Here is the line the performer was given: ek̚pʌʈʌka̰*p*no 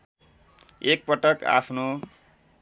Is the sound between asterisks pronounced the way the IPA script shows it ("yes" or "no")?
no